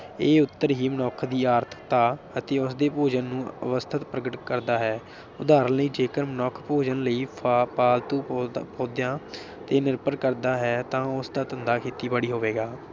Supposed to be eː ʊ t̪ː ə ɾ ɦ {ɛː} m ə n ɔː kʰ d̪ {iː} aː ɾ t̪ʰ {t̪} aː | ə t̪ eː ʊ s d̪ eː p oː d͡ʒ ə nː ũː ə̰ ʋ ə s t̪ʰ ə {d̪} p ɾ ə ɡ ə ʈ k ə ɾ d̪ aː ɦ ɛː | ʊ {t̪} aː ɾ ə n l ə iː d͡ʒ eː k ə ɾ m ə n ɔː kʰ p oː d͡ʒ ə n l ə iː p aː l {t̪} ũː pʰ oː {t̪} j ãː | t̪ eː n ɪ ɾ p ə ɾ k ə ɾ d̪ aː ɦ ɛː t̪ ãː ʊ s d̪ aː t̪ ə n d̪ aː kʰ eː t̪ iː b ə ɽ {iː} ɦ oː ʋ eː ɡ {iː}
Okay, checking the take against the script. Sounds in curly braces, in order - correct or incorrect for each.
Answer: incorrect: iː, correct, correct, incorrect: t̪, incorrect: d̪, correct, incorrect: d̪, correct, incorrect: aː

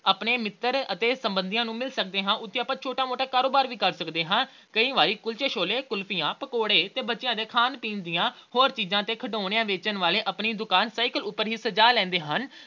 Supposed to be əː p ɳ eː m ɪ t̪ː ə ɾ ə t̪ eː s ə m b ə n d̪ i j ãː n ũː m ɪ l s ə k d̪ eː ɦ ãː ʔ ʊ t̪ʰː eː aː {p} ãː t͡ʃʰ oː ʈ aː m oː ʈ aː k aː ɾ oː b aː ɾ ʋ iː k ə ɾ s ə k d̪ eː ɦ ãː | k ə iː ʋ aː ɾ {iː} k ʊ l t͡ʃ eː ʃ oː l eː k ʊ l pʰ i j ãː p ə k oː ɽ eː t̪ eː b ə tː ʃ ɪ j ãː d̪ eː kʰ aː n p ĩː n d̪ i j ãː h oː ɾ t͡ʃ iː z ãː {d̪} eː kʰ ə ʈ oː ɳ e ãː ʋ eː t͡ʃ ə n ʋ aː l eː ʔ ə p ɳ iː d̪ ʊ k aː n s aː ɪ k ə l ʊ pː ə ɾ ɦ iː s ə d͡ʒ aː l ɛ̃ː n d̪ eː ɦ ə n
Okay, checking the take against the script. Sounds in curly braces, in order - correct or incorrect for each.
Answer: correct, correct, incorrect: t̪

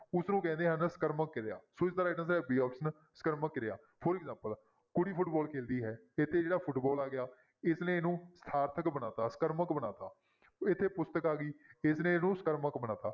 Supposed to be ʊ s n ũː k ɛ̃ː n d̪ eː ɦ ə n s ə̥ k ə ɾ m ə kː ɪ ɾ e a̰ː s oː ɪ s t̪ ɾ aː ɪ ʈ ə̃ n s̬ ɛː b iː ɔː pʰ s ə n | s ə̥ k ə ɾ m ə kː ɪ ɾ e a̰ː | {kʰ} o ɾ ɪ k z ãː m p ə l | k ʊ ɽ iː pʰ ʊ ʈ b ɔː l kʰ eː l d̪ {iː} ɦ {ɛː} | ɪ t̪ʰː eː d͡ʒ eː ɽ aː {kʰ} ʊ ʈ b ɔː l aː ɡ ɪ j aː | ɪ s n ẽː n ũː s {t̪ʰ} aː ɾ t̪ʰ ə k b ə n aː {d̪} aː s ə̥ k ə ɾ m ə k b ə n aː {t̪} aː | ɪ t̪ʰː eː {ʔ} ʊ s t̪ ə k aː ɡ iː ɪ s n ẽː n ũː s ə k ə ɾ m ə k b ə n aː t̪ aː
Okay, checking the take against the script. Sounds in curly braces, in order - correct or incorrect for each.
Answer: incorrect: pʰ, correct, correct, incorrect: pʰ, correct, incorrect: t̪, correct, incorrect: p

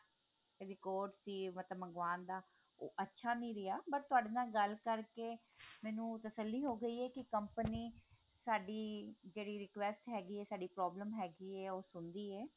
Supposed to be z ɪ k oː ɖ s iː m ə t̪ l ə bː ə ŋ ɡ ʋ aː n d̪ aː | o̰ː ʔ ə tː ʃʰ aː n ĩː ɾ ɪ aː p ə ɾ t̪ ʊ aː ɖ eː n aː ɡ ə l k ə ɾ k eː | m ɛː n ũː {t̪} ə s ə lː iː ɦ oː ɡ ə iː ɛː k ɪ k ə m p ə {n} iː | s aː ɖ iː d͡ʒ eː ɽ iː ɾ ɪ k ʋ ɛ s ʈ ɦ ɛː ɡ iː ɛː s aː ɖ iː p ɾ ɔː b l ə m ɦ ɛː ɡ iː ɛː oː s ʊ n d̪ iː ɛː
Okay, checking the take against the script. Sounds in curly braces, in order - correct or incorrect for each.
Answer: correct, correct

